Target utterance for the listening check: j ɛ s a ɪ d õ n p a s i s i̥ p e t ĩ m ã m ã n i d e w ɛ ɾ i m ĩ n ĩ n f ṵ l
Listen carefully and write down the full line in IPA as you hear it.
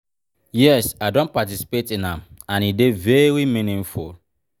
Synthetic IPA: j ɛ s a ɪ d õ n p a t i s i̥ p e t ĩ n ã m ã n i d e v ɛ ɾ i m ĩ n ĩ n f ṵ l